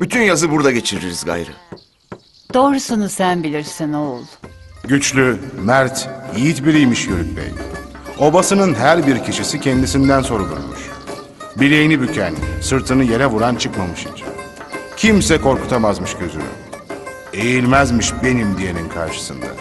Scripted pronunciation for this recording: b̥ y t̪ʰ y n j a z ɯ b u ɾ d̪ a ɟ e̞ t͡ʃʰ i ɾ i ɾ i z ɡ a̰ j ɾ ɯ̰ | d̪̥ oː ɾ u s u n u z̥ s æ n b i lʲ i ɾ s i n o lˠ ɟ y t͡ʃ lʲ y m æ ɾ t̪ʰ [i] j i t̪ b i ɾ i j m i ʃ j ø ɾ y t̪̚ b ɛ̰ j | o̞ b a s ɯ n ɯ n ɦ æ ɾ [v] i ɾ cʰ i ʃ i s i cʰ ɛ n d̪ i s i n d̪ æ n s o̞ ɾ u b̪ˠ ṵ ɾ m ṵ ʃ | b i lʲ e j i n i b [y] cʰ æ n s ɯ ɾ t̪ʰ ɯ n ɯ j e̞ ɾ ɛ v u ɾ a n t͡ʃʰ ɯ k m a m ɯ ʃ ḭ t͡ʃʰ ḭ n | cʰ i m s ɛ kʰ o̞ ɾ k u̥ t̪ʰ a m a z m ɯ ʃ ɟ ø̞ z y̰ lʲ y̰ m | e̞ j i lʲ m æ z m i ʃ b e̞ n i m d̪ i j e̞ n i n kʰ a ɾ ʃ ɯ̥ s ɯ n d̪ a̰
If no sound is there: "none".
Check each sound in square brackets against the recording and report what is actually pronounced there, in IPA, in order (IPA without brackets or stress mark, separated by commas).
i, b, y